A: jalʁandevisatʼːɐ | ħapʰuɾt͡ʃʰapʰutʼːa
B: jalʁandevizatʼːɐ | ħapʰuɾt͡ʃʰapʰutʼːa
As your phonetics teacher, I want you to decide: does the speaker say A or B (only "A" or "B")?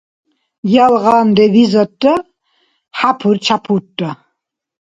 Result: B